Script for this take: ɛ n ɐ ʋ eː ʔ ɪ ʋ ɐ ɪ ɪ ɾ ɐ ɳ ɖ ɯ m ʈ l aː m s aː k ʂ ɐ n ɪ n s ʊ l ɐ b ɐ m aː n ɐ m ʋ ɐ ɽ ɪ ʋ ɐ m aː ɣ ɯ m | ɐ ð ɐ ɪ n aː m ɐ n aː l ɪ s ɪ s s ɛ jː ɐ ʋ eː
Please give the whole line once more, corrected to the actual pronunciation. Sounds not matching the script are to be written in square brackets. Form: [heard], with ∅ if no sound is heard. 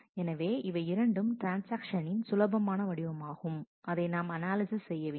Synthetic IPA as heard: ɛ n ɐ ʋ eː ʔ ɪ ʋ ɐ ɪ ɪ ɾ ɐ ɳ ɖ ɯ m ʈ [ɾ] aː [n] s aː k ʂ ɐ n ɪ n s ʊ l ɐ b ɐ m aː n ɐ [∅] ʋ ɐ ɽ ɪ ʋ ɐ m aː ɣ ɯ m | ɐ ð ɐ ɪ n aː m ɐ n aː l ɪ s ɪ s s ɛ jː ɐ ʋ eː